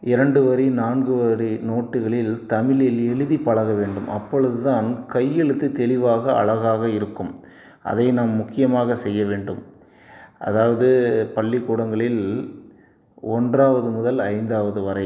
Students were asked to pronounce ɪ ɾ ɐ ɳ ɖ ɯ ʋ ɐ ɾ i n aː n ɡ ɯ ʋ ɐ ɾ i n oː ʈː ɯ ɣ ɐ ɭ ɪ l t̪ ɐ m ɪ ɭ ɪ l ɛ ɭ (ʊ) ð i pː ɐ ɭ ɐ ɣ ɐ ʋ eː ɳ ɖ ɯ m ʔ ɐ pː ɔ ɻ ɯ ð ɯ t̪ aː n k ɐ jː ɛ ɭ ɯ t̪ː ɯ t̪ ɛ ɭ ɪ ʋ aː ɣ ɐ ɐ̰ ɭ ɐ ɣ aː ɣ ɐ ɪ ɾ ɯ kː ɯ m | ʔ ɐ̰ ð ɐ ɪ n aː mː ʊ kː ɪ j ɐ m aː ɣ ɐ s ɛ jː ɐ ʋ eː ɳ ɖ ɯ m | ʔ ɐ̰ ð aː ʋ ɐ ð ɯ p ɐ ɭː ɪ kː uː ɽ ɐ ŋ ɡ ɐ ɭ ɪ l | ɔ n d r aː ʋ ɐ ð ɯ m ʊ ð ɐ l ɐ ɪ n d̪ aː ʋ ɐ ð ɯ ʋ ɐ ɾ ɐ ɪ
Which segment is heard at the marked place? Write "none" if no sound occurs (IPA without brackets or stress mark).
ɯ